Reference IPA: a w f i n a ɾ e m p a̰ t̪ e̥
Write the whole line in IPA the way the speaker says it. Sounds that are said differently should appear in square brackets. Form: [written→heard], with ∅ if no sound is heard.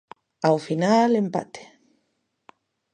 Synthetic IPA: a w f i n a [ɾ→l] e m p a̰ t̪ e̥

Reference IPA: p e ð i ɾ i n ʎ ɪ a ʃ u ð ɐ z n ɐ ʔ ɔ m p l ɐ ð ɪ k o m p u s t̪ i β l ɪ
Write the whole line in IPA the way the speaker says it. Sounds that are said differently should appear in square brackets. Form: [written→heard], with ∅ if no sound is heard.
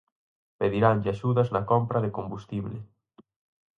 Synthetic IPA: p e ð i ɾ [i→a] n ʎ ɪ a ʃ u ð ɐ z n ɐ [ʔ→k] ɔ m p [l→ɾ] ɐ ð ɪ k o m [p→b] u s t̪ i β l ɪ

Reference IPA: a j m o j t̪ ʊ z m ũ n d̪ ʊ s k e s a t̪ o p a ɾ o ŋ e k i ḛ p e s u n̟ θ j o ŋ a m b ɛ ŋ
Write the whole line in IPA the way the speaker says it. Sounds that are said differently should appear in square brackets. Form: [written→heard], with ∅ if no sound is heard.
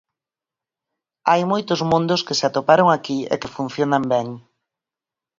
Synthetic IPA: a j m o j t̪ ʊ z m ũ n d̪ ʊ s k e s a t̪ o p a ɾ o ŋ [e→a] k i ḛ [p→k] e [s→f] u n̟ θ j o [ŋ→n] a m b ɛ ŋ

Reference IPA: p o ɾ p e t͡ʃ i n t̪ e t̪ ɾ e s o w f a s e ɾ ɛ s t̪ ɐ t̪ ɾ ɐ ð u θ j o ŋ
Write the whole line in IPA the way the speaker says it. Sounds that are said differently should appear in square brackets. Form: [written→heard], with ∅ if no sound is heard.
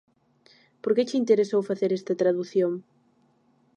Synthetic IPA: p o ɾ [p→k] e t͡ʃ i n t̪ e [t̪→∅] ɾ e s o w f a [s→θ] e ɾ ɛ s t̪ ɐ t̪ ɾ [ɐ→a] ð u θ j o ŋ

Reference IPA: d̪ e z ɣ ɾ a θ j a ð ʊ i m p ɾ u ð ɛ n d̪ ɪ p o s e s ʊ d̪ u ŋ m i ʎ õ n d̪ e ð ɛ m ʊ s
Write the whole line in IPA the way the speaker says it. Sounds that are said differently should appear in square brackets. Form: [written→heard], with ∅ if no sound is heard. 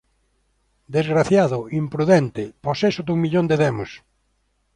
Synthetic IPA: d̪ e z ɣ ɾ a θ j a ð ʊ i m p ɾ u ð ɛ n [d̪→t̪] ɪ p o s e s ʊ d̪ u ŋ m i ʎ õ n d̪ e ð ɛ m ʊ s

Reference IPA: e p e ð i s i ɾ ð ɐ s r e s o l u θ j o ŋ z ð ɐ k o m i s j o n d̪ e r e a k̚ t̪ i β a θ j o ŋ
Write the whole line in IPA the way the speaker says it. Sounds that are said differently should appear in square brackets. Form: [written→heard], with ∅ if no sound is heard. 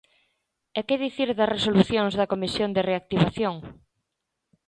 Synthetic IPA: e [p→k] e ð i [s→θ] i ɾ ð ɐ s r e s o l u θ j o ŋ z ð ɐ k o m i s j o n d̪ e r e a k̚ t̪ i β a θ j o ŋ

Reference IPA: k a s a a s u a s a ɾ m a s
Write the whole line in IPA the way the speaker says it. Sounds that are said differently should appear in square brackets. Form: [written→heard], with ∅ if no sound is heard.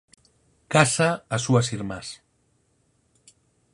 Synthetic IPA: k a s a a s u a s [a→i] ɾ m a s

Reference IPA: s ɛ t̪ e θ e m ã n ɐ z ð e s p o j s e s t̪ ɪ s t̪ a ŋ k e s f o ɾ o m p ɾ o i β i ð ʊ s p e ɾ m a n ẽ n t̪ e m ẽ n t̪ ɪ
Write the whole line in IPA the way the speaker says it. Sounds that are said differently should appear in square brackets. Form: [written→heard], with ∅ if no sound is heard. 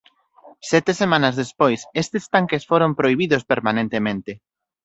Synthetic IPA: s ɛ t̪ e [θ→s] e m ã n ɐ z ð e s p o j s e s t̪ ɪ s t̪ a ŋ k e s f o ɾ o m p ɾ o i β i ð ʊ s p e ɾ m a n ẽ n t̪ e m ẽ n t̪ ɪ

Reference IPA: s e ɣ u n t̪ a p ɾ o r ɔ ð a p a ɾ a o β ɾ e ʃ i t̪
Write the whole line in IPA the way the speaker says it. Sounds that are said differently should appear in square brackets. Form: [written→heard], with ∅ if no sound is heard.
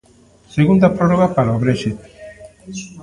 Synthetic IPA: s e ɣ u n [t̪→d̪] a p ɾ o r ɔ [ð→ɣ] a p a ɾ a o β ɾ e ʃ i t̪

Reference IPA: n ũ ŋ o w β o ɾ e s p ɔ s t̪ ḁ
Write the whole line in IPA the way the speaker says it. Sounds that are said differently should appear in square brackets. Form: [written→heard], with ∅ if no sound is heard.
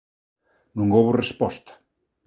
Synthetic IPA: n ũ ŋ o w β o [ɾ→r] e s p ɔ s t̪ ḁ

